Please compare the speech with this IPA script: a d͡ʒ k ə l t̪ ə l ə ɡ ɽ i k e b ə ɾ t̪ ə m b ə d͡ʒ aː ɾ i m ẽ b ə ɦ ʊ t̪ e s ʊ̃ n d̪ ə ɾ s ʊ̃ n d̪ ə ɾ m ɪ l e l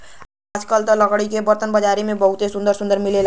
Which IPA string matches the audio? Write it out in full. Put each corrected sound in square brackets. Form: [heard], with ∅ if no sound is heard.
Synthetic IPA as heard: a d͡ʒ k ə l t̪ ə l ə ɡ ɽ i k e b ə ɾ t̪ ə [n] b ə d͡ʒ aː ɾ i m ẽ b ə ɦ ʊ t̪ e s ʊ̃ n d̪ ə ɾ s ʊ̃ n d̪ ə ɾ m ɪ l e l